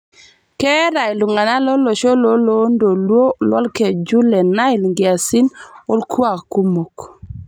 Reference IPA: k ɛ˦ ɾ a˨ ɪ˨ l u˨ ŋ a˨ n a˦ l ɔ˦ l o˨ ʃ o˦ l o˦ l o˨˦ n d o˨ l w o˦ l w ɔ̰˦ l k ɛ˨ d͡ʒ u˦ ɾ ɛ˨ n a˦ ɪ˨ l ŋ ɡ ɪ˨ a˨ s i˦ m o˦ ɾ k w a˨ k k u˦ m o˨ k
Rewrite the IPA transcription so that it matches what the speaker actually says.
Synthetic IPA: k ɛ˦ ɾ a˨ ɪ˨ l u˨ ŋ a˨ n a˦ l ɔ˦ l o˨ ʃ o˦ l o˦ l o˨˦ n d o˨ l w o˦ l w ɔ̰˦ l k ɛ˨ d͡ʒ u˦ l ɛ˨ n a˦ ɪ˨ l ŋ ɡ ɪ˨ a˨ s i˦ n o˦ l k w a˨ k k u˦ m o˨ k